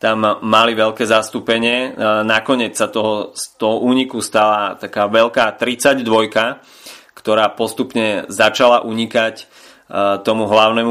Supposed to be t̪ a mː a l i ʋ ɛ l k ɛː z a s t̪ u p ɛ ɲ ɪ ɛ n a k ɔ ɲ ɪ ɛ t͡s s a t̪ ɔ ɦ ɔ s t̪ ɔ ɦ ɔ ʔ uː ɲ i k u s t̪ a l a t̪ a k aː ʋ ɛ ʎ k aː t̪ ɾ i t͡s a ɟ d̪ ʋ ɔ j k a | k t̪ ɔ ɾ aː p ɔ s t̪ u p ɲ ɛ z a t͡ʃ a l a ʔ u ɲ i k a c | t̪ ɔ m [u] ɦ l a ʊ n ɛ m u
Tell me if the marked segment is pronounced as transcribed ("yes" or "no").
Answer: yes